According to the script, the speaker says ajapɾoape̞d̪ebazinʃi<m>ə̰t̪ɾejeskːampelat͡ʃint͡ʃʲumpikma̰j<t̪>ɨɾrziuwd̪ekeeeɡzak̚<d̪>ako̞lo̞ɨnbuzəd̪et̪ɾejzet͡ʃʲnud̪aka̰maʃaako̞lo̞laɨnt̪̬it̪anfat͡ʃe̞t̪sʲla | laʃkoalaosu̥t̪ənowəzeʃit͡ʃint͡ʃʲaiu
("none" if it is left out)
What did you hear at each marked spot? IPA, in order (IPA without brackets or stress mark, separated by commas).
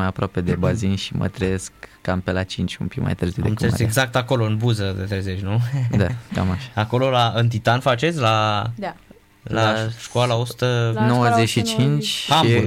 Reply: m, t̪, t̪